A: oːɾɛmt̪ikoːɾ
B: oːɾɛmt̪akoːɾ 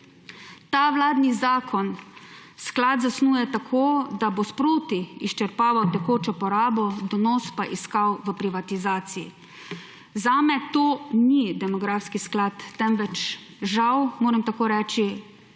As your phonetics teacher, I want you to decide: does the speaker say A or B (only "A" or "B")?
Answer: B